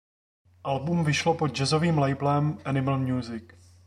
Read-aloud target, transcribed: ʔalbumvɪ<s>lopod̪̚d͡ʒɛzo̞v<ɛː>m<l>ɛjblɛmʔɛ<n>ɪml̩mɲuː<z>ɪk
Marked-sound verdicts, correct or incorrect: incorrect: ʃ, incorrect: iː, correct, correct, correct

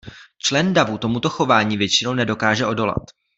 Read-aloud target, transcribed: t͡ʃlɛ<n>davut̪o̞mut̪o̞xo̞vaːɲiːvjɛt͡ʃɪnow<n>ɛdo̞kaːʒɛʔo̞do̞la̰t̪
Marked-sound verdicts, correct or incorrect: correct, correct

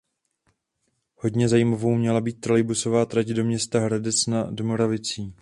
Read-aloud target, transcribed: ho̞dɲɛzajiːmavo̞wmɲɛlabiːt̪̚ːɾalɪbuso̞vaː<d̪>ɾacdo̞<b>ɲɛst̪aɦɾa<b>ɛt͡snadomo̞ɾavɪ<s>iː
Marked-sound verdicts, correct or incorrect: incorrect: t̪, incorrect: m, incorrect: d, incorrect: t͡s

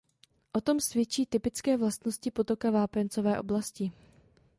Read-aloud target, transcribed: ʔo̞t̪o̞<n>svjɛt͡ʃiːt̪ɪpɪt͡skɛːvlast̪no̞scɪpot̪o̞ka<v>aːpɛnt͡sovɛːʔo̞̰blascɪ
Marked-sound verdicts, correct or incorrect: incorrect: m, correct

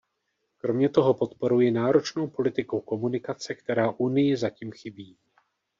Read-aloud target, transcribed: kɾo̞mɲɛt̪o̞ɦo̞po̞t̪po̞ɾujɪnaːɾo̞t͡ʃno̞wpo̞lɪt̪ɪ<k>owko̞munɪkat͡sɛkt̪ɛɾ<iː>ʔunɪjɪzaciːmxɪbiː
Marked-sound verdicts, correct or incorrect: correct, incorrect: aː

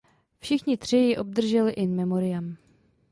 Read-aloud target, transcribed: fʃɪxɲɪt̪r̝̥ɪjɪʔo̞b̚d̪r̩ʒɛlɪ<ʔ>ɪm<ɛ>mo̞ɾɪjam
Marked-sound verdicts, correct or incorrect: correct, correct

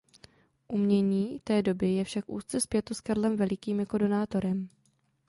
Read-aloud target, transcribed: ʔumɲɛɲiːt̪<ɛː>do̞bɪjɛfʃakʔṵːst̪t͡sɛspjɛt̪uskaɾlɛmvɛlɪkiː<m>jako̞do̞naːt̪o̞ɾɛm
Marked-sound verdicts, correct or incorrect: correct, correct

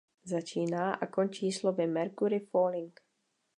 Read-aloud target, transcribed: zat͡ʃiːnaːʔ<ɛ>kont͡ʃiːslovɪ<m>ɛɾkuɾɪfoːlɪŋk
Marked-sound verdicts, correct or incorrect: incorrect: a, correct

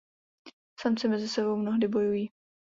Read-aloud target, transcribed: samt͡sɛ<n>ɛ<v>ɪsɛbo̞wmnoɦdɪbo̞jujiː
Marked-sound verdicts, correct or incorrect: incorrect: m, incorrect: z

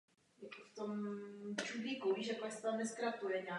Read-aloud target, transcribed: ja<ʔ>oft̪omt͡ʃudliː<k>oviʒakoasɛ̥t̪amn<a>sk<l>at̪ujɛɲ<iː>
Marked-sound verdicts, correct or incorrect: incorrect: k, correct, incorrect: ɛ, incorrect: ɾ, incorrect: aː

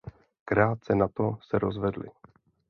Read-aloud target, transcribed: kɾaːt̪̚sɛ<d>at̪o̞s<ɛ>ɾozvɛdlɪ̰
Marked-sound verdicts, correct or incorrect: incorrect: n, correct

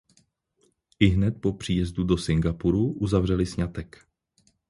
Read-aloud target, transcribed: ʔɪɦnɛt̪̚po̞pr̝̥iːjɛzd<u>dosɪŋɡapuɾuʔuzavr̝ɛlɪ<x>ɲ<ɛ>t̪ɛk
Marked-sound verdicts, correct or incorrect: correct, incorrect: s, incorrect: a

